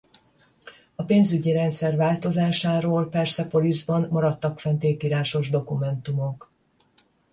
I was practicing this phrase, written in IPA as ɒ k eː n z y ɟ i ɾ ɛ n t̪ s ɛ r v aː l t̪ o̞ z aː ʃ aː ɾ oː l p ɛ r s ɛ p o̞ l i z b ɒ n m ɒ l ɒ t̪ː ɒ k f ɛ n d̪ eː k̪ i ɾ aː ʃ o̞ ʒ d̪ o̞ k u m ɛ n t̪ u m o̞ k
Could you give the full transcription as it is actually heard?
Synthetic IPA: ɒ p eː n z y ɟ i ɾ ɛ n t̪ s ɛ r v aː l t̪ o̞ z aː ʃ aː ɾ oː l p ɛ r s ɛ p o̞ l i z b ɒ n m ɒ ɾ ɒ t̪ː ɒ k f ɛ n t̪ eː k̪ i ɾ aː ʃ o̞ ʒ d̪ o̞ k u m ɛ n t̪ u m o̞ k